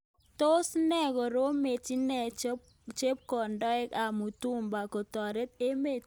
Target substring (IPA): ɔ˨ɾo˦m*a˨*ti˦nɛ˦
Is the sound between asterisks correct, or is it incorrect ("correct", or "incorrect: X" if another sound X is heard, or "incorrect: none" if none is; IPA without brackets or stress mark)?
incorrect: e˨